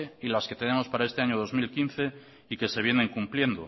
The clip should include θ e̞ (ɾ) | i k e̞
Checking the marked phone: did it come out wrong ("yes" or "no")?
yes